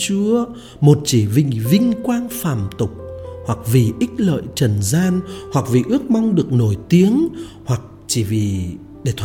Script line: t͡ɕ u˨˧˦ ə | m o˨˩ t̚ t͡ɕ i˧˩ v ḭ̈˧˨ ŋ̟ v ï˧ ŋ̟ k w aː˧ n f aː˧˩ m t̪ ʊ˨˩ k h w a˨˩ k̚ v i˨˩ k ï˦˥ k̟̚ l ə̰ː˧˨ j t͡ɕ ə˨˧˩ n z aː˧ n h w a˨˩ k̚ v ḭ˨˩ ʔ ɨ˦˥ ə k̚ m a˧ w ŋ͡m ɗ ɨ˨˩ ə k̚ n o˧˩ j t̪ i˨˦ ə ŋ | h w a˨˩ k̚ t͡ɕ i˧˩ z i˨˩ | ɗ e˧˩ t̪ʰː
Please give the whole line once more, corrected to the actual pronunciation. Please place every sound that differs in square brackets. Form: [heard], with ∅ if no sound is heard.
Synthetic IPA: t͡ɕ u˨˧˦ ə | m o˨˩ t̚ t͡ɕ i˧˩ v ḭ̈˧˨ ŋ̟ v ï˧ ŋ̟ k w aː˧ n f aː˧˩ m t̪ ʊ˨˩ [k͡p̚] h w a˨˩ k̚ v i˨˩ [ʔ] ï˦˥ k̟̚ l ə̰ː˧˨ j t͡ɕ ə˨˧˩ n z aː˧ n h w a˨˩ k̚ v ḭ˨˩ ʔ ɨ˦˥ ə k̚ m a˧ w ŋ͡m ɗ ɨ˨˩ ə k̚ n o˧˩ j t̪ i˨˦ ə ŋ | h w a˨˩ k̚ t͡ɕ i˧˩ [v] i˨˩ | ɗ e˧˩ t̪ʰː